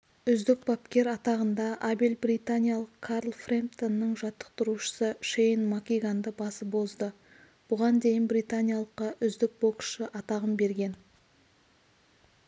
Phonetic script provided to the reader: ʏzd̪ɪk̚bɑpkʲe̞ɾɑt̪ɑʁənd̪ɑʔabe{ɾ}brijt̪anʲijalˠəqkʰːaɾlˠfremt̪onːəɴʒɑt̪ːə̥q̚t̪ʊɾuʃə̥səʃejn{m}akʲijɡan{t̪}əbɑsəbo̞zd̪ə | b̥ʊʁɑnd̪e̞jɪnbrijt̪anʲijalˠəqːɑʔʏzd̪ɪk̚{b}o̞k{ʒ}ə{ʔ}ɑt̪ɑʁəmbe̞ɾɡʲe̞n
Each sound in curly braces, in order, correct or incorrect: incorrect: l, correct, incorrect: d̪, correct, incorrect: ʃ, correct

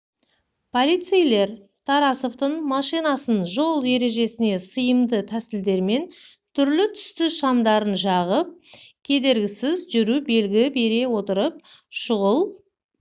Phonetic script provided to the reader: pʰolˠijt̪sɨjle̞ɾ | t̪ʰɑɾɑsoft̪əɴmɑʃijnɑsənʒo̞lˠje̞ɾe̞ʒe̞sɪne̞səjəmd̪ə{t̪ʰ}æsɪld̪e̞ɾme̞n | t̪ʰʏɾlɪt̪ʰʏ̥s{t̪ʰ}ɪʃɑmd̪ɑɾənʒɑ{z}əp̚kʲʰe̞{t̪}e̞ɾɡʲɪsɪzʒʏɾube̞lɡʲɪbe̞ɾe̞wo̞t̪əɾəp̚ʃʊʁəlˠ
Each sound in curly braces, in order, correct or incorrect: correct, incorrect: t̪, incorrect: ʁ, incorrect: d̪

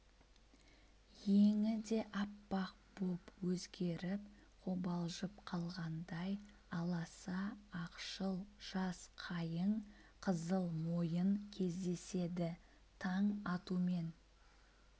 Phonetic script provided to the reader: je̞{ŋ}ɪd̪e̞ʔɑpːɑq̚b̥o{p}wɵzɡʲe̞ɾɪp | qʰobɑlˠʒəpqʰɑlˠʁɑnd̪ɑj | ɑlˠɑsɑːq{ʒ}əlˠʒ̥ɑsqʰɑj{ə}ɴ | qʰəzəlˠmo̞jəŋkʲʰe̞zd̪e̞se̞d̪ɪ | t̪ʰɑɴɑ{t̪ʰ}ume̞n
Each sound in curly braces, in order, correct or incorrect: correct, correct, incorrect: ʃ, correct, incorrect: t̪

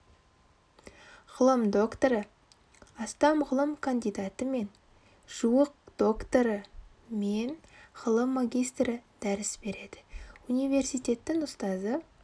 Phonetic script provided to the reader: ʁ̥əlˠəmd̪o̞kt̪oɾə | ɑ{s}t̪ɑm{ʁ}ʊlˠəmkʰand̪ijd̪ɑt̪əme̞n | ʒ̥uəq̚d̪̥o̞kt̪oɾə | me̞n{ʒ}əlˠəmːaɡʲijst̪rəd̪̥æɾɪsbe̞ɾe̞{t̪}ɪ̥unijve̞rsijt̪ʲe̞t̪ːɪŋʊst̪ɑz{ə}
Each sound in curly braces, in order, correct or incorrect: correct, correct, incorrect: ʁ, incorrect: d̪, correct

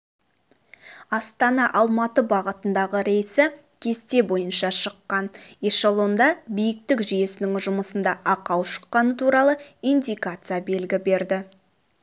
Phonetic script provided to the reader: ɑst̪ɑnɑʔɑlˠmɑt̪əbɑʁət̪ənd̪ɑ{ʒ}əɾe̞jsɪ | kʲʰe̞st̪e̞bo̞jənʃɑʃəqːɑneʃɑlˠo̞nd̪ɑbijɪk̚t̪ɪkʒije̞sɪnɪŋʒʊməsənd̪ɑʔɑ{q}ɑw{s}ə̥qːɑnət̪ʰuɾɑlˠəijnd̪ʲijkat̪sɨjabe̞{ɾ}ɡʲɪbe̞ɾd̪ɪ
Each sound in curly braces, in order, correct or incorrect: incorrect: ʁ, correct, incorrect: ʃ, incorrect: l

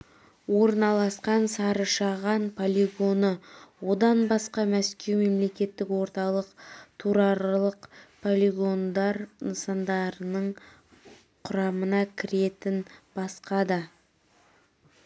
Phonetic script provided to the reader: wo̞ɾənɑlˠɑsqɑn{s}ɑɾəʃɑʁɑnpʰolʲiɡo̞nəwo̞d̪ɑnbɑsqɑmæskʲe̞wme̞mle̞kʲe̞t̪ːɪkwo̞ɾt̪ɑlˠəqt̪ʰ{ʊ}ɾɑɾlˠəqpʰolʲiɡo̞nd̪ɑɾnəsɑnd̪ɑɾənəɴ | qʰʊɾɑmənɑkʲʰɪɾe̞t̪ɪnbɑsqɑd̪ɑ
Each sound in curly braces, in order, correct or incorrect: correct, incorrect: u

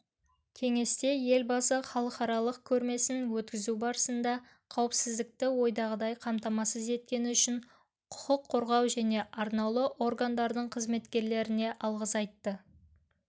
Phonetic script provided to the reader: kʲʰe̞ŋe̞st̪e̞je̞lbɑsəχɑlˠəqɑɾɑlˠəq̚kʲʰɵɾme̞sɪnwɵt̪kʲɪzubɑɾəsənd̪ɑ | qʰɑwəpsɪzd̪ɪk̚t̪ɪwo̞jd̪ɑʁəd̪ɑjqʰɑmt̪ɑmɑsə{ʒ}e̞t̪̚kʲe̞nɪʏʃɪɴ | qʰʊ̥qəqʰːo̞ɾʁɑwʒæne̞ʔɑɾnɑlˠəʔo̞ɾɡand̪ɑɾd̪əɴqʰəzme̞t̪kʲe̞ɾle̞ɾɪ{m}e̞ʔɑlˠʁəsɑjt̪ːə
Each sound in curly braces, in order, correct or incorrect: incorrect: z, incorrect: n

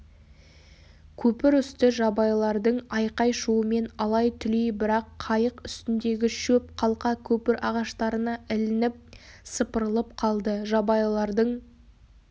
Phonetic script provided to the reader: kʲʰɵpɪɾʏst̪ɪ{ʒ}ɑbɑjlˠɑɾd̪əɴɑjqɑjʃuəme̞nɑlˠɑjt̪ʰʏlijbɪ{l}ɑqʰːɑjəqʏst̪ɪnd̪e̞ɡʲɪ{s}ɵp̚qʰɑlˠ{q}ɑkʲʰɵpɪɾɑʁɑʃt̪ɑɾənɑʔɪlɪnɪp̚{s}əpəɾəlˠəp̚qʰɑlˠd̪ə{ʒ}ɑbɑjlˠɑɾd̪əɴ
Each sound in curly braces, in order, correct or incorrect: correct, incorrect: ɾ, incorrect: ʃ, correct, correct, correct

